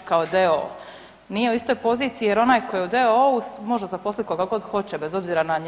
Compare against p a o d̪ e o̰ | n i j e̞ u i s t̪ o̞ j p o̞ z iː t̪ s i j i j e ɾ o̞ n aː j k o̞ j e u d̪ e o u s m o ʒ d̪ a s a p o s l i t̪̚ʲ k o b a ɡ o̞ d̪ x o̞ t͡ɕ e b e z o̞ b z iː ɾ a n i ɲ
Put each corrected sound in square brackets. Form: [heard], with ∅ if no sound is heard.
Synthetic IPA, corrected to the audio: [k] a o d̪ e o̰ | n i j e̞ u i s t̪ o̞ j p o̞ z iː t̪ s i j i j e ɾ o̞ n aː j k o̞ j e u d̪ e o u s m o ʒ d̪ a [z] a p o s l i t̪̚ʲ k o [ɡ] a ɡ o̞ d̪ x o̞ t͡ɕ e b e z o̞ b z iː ɾ a n [a] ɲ

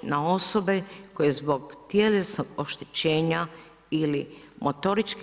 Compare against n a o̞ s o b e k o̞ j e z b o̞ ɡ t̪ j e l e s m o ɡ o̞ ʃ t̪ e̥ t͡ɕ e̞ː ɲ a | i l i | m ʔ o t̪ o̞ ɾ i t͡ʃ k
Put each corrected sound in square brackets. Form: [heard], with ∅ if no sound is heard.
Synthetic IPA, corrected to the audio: n a o̞ s o b e k o̞ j e z b o̞ ɡ t̪ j e l e s [n] o ɡ o̞ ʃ t̪ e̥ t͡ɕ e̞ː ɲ a | i l i | m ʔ o t̪ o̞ ɾ i t͡ʃ k

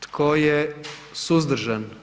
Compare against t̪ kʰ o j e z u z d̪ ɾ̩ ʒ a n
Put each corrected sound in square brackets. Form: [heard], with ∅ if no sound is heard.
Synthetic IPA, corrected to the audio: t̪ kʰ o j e [s] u z d̪ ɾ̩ ʒ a n

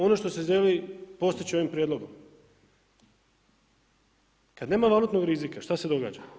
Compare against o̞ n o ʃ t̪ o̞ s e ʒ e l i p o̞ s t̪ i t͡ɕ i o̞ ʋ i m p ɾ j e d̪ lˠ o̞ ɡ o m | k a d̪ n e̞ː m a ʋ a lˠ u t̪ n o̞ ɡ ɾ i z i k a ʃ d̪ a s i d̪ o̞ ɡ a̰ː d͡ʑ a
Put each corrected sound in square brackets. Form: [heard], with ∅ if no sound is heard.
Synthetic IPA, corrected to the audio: o̞ n o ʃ t̪ o̞ s e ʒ e l i p o̞ s t̪ i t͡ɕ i o̞ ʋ i m p ɾ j e d̪ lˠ o̞ ɡ o m | k a d̪ n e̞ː m a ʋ a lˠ u t̪ n o̞ ɡ ɾ i z i k a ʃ [t̪] a s [e] d̪ o̞ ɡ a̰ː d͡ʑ a

